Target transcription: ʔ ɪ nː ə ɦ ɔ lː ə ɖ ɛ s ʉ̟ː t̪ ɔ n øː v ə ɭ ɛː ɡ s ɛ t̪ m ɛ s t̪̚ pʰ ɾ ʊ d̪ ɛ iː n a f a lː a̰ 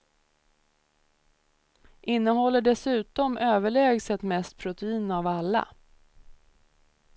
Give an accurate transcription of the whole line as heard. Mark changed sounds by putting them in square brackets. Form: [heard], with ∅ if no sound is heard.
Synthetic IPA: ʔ ɪ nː ə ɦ ɔ lː ə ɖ ɛ s ʉ̟ː t̪ ɔ [m] øː v ə ɭ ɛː ɡ s ɛ t̪ m ɛ s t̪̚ pʰ ɾ ʊ [t̪] ɛ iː n a [v] a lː a̰

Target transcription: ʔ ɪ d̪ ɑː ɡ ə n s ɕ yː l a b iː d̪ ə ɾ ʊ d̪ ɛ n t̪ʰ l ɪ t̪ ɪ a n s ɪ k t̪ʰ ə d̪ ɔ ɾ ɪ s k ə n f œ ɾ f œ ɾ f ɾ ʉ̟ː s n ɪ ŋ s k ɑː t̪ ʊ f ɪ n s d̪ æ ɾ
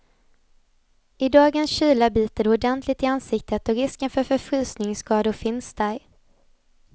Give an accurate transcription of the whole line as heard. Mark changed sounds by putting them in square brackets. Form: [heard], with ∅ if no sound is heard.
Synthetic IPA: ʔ ɪ d̪ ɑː ɡ ə n s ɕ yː l a b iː [t̪] ə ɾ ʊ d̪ ɛ n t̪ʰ l ɪ t̪ ɪ a n s ɪ k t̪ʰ ə [t̪] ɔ ɾ ɪ s k ə n f œ ɾ f œ ɾ f ɾ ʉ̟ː s n ɪ ŋ s k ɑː [d̪] ʊ f ɪ n s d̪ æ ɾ

